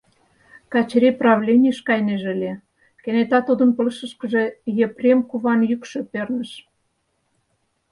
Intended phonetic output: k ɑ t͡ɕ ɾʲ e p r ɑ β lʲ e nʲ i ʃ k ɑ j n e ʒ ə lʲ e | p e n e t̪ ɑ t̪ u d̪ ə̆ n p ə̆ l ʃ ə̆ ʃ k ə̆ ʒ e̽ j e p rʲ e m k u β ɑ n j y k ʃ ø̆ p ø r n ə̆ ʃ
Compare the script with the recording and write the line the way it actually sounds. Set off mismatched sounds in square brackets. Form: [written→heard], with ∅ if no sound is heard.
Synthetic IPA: k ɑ t͡ɕ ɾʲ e p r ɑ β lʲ e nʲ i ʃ k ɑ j n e ʒ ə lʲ e | [p→k] e n e t̪ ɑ t̪ u d̪ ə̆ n p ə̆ l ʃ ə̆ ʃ k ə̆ ʒ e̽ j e p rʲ e m k u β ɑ n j y k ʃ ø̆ p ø r n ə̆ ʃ